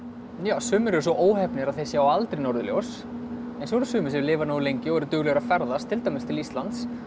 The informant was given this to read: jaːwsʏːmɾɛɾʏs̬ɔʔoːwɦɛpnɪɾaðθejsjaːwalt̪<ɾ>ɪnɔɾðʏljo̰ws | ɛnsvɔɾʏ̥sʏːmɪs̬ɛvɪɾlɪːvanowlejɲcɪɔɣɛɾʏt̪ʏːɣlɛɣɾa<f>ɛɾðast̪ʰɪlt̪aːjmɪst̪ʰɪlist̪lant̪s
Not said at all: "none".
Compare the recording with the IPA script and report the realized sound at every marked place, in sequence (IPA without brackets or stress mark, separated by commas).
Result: ɾ, f